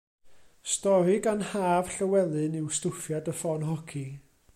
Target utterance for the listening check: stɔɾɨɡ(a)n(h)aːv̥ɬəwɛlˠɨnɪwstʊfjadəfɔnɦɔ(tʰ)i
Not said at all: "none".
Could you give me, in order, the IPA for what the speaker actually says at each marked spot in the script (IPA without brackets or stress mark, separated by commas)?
a, h, kʰ